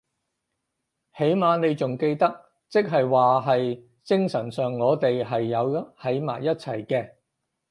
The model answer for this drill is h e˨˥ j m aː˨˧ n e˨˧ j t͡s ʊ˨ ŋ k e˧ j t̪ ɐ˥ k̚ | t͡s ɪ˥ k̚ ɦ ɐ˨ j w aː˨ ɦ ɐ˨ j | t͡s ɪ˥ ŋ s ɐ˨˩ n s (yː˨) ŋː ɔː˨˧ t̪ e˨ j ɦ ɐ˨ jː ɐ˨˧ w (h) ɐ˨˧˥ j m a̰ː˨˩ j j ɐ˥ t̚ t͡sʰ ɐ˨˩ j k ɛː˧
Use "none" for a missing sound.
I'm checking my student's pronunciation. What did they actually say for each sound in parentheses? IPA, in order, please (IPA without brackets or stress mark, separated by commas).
œː˨, h